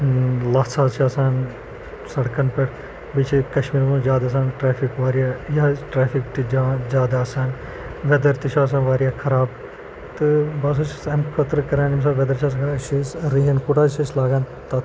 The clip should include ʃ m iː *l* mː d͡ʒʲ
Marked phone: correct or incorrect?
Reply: incorrect